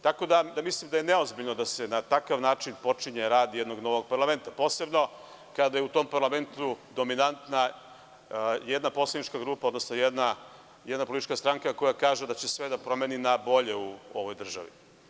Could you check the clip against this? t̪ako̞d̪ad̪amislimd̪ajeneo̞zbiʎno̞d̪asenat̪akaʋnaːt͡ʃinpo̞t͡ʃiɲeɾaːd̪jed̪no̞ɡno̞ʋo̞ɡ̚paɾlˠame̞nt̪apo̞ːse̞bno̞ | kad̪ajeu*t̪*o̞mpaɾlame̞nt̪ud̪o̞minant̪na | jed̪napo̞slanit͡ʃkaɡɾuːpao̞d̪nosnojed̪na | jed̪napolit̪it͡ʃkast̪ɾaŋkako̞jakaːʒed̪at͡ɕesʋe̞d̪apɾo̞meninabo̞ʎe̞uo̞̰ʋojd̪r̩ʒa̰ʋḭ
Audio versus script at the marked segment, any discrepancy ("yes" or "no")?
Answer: no